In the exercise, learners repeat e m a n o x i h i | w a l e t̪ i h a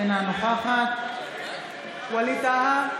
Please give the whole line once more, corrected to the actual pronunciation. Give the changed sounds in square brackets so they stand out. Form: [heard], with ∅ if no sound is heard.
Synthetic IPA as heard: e [n] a n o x [a] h [a] | w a l [i] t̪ [a] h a